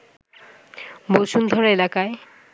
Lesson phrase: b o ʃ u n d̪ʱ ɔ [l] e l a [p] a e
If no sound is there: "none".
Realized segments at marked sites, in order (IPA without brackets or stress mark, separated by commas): ɾ, k